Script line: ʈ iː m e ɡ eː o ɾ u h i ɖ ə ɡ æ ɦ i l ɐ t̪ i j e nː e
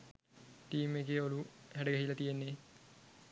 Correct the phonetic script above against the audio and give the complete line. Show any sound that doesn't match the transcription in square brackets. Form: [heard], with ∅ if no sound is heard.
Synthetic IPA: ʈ iː m e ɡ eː o [l] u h [æ] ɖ ə ɡ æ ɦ i l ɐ t̪ i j e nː e